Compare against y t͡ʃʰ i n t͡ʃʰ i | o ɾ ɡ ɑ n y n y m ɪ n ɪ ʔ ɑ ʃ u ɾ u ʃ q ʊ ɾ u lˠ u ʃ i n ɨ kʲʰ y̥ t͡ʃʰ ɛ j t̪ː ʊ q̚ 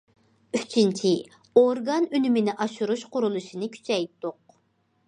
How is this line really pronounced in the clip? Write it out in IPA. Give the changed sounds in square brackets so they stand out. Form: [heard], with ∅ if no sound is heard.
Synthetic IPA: y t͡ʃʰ i n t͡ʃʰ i | o ɾ ɡ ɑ n y n y m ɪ n ɪ ʔ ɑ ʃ u ɾ u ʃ q ʊ ɾ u lˠ u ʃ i n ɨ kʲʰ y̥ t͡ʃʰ ɛ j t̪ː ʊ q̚